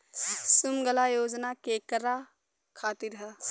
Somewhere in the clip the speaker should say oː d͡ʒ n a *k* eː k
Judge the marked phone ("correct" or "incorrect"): correct